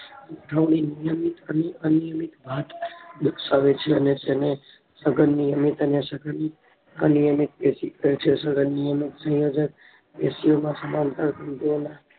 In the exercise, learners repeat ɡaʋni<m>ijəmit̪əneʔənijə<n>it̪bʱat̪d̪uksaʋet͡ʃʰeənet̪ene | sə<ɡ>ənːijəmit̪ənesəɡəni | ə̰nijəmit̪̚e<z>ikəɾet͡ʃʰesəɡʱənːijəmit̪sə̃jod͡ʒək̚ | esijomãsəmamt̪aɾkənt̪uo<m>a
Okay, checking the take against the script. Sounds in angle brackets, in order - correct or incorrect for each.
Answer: incorrect: n, incorrect: m, correct, incorrect: s, incorrect: n

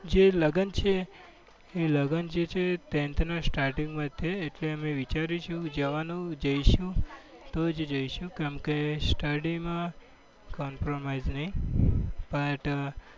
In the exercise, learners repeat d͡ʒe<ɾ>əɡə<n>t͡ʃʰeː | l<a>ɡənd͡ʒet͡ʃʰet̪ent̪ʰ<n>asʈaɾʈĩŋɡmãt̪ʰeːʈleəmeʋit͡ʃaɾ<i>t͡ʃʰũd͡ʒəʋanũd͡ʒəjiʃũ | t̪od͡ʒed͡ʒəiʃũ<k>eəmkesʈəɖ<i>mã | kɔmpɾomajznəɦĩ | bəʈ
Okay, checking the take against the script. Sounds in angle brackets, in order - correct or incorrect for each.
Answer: incorrect: l, correct, incorrect: ə, correct, correct, correct, correct

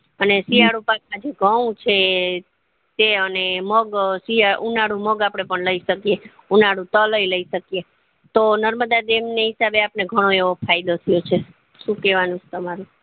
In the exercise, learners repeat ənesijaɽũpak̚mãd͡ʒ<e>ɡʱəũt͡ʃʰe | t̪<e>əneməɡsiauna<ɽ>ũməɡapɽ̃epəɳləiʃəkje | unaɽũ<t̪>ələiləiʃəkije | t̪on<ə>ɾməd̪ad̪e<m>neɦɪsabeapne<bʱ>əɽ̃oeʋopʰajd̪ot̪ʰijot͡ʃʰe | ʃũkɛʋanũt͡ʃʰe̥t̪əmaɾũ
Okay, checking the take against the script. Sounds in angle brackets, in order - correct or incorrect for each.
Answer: correct, correct, correct, correct, correct, correct, incorrect: ɡʱ

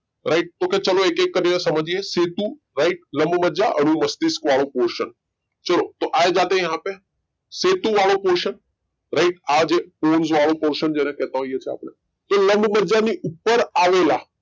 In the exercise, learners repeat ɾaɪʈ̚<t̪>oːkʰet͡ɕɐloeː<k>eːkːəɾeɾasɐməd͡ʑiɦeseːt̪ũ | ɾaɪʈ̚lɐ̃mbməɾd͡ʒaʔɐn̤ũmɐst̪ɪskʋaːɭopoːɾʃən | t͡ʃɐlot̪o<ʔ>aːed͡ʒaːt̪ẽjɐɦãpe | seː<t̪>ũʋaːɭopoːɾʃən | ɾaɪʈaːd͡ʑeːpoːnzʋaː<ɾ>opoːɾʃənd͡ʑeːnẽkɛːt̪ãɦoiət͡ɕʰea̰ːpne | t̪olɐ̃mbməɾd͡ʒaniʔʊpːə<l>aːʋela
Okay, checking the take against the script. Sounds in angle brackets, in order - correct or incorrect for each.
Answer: correct, correct, correct, correct, incorrect: ɭ, incorrect: ɾ

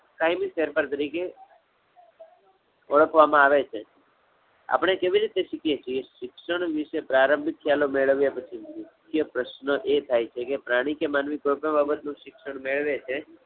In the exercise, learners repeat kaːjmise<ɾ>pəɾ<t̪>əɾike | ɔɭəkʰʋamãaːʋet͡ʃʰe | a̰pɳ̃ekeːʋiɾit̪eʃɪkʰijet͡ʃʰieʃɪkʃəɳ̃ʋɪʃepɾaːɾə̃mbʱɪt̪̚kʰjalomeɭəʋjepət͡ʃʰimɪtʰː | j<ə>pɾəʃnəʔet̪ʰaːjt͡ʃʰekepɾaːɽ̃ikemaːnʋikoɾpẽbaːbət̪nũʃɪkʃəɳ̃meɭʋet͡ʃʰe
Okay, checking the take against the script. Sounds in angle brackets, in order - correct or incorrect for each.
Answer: correct, correct, correct

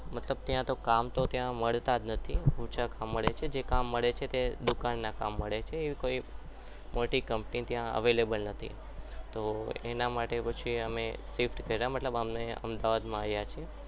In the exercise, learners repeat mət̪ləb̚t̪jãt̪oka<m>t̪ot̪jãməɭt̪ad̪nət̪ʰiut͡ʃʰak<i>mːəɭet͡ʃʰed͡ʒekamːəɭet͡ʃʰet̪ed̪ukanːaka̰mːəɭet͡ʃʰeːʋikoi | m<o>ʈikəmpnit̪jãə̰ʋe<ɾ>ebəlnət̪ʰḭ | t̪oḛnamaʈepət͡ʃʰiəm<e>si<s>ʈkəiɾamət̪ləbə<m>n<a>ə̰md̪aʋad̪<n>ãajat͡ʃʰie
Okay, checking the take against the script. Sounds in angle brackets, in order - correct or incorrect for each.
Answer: correct, incorrect: a, correct, incorrect: l, correct, incorrect: f, correct, incorrect: e, incorrect: m

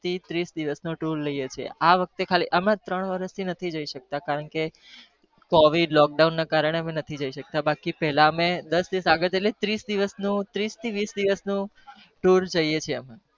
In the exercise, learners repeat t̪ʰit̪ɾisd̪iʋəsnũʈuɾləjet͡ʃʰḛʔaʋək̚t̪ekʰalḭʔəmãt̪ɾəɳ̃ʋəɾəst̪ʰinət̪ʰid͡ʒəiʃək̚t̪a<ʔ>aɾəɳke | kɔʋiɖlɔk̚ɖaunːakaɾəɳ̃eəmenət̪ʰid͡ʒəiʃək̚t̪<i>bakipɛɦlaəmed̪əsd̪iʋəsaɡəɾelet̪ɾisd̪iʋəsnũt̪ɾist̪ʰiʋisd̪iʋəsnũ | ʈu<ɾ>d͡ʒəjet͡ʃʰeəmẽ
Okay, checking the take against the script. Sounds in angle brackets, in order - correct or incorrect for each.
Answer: incorrect: k, incorrect: a, correct

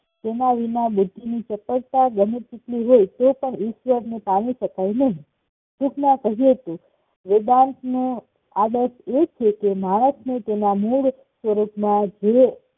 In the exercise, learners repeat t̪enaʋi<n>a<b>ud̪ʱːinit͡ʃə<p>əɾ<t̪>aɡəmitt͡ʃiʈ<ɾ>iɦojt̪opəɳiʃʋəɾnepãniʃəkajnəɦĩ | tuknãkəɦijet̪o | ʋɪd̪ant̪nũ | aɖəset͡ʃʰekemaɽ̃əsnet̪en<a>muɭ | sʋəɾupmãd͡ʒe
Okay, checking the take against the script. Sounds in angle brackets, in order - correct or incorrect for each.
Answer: correct, correct, correct, correct, incorrect: l, correct

